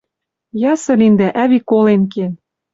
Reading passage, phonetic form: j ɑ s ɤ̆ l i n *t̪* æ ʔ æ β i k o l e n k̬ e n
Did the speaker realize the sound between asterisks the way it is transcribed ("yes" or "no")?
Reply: no